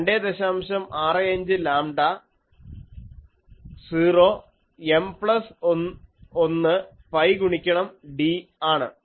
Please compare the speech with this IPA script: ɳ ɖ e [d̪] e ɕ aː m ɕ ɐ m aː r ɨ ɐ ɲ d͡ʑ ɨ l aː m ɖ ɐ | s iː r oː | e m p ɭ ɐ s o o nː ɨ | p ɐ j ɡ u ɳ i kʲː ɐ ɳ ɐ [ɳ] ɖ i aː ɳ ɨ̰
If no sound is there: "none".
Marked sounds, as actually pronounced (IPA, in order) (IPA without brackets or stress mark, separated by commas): d̪, m